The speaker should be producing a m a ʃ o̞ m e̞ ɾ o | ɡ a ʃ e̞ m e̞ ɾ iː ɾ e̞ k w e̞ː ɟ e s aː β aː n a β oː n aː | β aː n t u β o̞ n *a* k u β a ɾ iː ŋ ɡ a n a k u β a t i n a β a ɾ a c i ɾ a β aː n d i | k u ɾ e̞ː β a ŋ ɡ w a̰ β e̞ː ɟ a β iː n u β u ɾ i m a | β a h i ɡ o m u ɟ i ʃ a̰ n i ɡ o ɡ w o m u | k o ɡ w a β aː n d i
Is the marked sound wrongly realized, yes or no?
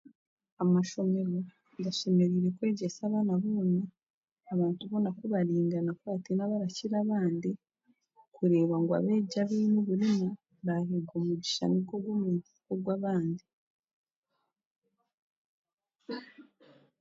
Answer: no